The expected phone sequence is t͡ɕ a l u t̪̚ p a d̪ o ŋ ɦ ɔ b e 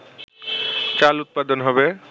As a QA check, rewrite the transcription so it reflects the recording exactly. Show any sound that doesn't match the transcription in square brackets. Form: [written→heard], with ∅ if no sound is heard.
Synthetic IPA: t͡ɕ a l u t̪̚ p a d̪ o [ŋ→n] ɦ ɔ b e